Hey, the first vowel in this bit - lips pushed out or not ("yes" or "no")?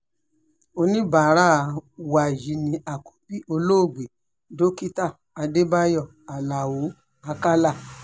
yes